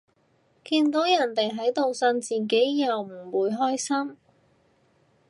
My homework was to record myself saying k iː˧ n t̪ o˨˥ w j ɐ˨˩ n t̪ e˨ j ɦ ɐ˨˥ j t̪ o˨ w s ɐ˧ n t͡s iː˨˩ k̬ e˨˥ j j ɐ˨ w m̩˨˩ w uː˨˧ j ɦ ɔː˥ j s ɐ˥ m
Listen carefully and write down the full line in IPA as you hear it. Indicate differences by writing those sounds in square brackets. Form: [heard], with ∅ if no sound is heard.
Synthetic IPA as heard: k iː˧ n t̪ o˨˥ w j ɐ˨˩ n t̪ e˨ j ɦ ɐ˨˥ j t̪ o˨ w s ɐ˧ n t͡s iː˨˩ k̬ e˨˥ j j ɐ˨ w m̩˨˩ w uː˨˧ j ɦ ɔː˥ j s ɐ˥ m

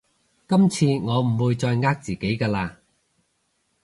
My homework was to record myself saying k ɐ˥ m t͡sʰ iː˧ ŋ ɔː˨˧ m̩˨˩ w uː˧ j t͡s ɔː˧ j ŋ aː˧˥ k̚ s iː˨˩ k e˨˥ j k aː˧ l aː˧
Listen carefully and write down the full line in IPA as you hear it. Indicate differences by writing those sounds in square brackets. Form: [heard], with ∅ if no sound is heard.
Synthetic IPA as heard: k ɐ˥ m t͡sʰ iː˧ ŋ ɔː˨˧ m̩˨˩ w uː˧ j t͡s ɔː˧ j ŋ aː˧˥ k̚ [t͡s] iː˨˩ k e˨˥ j k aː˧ l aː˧

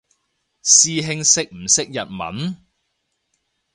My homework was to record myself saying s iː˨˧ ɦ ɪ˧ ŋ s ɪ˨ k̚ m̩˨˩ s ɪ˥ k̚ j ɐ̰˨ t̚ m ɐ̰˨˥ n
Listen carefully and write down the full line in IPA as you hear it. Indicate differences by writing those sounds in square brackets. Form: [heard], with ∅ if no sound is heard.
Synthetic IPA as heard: s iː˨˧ ɦ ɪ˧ ŋ s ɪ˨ k̚ m̩˨˩ s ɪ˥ k̚ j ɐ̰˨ t̚ m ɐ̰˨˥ n

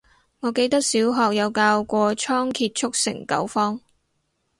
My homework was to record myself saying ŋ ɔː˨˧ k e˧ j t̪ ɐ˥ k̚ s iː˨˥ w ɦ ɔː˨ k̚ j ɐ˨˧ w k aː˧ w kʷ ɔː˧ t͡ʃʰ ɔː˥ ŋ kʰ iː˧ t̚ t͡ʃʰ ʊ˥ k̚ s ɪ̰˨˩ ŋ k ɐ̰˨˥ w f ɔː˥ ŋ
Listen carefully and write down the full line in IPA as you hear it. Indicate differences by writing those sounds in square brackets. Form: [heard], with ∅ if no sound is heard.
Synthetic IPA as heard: ŋ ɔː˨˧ k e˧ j t̪ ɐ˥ k̚ s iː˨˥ w ɦ ɔː˨ k̚ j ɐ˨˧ w k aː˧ w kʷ ɔː˧ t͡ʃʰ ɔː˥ ŋ kʰ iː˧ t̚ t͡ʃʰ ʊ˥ k̚ s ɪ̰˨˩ ŋ k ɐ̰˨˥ w f ɔː˥ ŋ

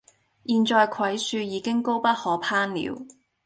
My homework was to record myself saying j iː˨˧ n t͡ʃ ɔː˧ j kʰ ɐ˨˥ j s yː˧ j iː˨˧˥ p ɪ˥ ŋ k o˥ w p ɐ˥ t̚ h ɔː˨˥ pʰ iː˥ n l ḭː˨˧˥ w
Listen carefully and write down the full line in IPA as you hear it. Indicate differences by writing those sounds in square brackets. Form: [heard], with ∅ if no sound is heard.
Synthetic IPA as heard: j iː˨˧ n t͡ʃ ɔː˧ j kʰ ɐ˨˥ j s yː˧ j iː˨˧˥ [k] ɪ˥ ŋ k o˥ w p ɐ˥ t̚ h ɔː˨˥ pʰ [aː˥] n l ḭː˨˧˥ w

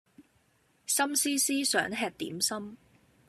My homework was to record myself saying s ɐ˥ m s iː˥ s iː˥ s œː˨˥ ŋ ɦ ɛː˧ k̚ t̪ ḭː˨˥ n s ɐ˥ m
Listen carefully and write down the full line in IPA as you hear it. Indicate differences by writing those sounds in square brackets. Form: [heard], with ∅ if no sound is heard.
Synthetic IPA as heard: s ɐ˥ m s iː˥ s iː˥ s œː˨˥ ŋ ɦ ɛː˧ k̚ t̪ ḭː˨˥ [m] s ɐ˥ m

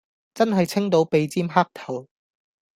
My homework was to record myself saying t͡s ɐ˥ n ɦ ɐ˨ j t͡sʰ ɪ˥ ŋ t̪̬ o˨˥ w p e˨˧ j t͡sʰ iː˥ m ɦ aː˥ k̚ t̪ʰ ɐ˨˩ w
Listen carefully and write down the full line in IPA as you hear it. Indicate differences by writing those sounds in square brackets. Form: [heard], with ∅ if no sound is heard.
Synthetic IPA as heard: t͡s ɐ˥ n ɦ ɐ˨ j t͡sʰ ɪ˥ ŋ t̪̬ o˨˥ w p e˨˧ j [t͡s] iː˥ m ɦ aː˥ k̚ t̪ʰ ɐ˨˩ w

